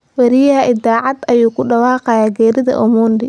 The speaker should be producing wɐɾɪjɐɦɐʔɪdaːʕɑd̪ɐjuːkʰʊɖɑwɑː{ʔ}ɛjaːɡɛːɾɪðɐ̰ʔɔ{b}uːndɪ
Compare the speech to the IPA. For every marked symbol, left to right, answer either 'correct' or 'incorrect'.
incorrect: q, incorrect: m

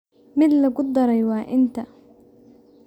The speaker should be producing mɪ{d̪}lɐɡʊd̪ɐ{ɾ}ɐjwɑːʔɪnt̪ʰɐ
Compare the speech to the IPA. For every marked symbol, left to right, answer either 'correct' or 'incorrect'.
correct, correct

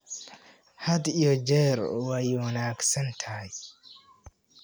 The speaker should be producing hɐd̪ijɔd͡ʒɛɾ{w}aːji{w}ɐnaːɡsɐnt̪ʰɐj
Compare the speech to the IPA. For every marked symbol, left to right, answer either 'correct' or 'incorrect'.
correct, correct

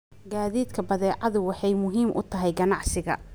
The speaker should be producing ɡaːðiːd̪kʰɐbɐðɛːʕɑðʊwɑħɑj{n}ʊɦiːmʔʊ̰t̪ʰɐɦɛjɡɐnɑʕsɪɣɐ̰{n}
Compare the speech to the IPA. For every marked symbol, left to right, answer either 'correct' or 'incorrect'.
incorrect: m, incorrect: none

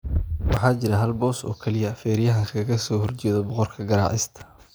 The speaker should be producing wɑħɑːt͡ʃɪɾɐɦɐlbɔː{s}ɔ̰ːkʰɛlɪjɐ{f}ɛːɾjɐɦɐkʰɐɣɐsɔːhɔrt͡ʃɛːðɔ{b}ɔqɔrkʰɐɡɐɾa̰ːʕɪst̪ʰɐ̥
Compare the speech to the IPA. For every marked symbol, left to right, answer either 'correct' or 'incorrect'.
correct, correct, correct

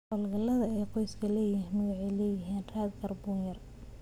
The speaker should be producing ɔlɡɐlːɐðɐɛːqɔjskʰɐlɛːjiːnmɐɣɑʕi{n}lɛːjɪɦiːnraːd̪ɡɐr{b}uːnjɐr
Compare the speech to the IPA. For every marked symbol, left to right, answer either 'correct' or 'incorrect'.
incorrect: none, correct

